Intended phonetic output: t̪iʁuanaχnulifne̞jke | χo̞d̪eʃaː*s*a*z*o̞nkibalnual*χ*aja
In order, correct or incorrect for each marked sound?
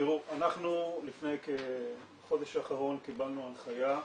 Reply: incorrect, incorrect, correct

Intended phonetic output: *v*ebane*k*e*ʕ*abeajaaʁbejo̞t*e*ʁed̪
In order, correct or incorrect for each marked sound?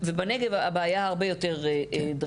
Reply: correct, incorrect, incorrect, correct

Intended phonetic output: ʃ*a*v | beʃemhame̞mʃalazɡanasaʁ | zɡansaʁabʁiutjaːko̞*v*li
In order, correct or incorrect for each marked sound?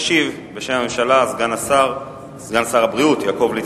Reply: incorrect, correct

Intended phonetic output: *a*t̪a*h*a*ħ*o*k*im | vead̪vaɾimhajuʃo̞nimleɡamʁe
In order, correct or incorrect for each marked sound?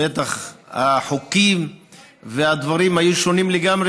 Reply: incorrect, incorrect, correct, correct

